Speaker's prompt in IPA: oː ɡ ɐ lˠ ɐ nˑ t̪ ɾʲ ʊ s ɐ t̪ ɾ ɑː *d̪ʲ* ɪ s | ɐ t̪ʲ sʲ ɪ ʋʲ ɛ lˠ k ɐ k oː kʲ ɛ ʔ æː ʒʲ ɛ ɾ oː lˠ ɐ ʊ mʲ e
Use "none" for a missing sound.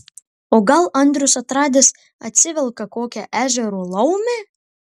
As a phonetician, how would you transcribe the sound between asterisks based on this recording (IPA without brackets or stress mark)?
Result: d̪ʲ